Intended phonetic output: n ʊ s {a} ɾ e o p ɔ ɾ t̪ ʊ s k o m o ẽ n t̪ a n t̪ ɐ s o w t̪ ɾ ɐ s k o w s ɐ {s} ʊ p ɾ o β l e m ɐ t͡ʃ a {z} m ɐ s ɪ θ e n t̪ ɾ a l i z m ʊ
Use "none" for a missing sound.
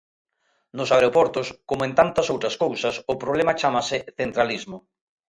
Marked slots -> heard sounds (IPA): a, s, none

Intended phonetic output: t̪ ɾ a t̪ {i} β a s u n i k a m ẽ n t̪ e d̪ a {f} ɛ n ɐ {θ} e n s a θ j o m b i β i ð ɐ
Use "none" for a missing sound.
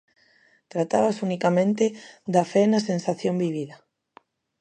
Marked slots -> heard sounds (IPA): a, f, s

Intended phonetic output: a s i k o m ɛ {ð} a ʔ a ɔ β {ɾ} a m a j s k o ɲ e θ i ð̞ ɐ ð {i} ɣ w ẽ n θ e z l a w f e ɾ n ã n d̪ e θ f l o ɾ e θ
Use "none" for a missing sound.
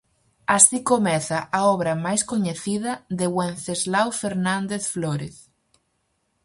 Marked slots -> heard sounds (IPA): θ, ɾ, e

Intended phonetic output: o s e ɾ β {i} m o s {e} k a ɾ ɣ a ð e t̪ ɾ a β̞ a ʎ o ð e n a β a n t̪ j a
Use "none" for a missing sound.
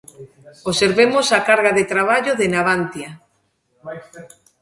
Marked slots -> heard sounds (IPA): e, a

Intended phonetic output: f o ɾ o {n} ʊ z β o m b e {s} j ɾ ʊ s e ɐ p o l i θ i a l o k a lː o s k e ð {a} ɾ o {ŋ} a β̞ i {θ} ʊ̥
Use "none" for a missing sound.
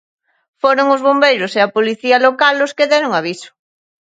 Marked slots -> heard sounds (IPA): ŋ, none, ɛ, ŋ, s

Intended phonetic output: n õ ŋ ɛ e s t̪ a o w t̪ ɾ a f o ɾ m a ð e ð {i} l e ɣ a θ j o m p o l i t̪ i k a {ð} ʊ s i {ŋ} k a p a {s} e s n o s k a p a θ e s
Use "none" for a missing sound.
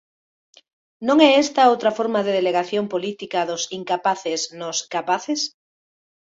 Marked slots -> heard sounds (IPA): e, ð, ŋ, θ

